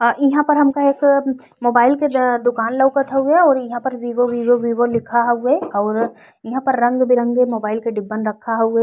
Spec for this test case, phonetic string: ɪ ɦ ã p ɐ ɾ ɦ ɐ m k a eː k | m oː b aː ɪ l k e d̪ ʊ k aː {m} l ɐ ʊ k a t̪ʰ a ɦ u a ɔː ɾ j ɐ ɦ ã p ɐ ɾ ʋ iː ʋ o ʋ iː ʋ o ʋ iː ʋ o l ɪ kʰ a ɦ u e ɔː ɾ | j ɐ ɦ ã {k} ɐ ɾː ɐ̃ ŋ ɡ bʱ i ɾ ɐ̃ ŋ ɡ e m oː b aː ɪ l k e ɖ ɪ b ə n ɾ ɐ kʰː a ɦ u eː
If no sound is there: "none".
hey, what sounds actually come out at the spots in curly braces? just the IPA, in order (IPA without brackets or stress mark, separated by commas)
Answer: n, p